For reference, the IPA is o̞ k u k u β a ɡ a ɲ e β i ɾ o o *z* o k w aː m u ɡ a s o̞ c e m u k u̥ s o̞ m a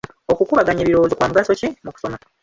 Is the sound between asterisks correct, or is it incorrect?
correct